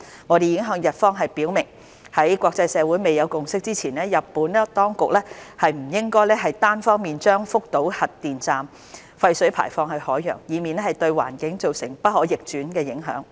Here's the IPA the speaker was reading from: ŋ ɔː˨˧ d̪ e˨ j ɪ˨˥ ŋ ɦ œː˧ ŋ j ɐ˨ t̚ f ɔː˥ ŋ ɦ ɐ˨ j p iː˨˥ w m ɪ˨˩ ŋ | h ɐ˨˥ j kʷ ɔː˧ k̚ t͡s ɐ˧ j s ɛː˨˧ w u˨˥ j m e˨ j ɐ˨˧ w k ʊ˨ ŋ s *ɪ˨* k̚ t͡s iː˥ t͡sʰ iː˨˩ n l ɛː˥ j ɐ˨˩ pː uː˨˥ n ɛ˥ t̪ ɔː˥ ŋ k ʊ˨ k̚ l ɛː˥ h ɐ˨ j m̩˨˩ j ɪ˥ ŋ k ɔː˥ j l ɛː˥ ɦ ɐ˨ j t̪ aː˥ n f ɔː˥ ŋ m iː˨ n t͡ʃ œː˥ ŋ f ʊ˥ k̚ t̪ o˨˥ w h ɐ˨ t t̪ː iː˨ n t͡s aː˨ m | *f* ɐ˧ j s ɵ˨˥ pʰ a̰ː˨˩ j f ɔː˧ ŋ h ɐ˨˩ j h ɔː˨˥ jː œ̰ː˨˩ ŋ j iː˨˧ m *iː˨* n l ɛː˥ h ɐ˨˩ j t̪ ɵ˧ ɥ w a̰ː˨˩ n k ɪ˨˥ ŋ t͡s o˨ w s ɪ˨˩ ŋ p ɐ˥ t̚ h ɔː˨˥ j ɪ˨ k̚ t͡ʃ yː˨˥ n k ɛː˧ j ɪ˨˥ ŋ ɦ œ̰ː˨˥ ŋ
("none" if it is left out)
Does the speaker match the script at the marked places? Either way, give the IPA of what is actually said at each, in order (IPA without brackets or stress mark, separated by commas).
ɪ˥, f, iː˨